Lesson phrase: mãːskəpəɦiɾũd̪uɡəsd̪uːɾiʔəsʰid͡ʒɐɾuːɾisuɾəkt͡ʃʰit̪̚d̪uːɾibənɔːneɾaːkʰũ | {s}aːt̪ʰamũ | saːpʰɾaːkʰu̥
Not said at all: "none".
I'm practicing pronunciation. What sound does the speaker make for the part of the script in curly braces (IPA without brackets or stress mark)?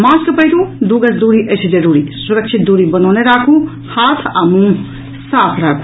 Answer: h